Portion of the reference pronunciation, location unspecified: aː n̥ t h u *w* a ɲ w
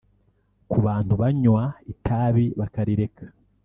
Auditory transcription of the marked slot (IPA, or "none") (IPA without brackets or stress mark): β